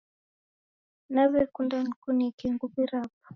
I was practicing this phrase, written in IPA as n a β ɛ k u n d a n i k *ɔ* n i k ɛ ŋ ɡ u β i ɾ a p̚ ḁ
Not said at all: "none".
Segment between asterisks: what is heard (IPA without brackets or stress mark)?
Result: u